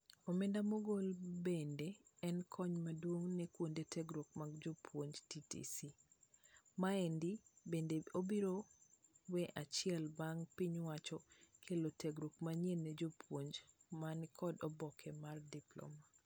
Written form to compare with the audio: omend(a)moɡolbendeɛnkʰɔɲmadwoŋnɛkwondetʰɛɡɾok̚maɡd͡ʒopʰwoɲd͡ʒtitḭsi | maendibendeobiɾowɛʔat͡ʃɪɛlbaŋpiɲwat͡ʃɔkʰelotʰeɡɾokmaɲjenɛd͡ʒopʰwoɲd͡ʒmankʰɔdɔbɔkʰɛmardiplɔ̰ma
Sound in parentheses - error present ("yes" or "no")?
no